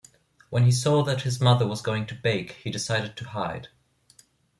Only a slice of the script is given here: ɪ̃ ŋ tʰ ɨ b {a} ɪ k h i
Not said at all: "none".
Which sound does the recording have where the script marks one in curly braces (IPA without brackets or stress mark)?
e